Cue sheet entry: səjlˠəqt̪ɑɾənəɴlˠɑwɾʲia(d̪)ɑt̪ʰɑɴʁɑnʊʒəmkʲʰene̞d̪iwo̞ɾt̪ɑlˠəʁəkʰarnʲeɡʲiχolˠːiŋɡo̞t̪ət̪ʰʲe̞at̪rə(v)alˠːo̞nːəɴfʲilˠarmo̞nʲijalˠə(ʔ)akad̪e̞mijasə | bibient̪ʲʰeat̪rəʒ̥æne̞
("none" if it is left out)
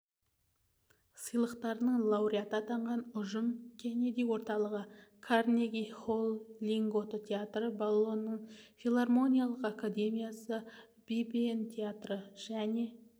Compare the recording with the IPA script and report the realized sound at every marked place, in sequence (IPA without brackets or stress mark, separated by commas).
t̪, b, q